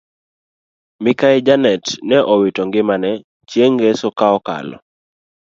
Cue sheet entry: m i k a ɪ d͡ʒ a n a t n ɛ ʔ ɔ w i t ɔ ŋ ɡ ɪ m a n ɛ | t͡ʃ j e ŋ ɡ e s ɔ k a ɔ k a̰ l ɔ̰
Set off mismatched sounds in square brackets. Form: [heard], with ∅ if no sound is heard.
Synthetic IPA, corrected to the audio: m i k a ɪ d͡ʒ a n [ɛ] t n ɛ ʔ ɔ w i t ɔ ŋ ɡ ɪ m a n ɛ | t͡ʃ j e ŋ ɡ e s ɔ k a ɔ k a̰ l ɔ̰